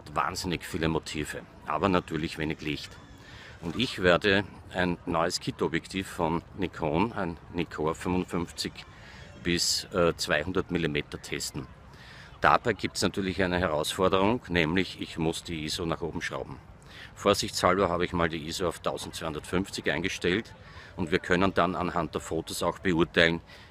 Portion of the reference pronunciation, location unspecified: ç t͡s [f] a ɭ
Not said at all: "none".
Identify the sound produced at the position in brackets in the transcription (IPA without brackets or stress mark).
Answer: h